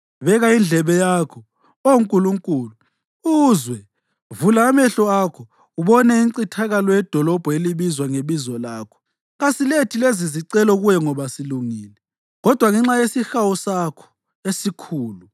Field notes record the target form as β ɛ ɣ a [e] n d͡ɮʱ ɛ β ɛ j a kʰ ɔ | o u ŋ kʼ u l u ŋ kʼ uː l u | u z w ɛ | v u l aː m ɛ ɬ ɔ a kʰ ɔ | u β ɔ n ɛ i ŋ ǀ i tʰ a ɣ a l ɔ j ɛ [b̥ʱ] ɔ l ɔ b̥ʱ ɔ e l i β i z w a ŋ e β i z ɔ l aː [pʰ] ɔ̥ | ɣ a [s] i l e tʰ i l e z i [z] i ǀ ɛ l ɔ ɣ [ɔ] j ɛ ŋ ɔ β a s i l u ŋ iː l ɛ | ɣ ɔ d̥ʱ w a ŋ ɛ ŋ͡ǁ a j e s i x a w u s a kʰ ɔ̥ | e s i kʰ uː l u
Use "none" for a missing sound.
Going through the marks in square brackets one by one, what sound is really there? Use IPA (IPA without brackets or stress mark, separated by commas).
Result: i, d̥ʱ, kʰ, s, z, u